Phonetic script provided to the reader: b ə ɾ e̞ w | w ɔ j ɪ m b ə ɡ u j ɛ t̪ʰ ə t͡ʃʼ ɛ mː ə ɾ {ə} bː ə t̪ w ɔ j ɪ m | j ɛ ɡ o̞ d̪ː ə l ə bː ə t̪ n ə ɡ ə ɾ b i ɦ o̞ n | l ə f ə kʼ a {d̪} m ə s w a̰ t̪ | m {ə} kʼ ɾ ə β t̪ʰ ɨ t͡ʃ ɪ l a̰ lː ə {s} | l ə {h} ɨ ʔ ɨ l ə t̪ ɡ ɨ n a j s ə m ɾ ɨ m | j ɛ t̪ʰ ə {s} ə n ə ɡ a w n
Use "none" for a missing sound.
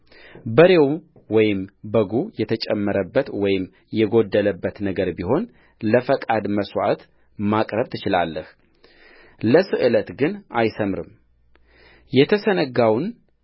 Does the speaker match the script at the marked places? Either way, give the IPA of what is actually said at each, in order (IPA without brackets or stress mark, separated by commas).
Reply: ə, d̪, a, h, s, s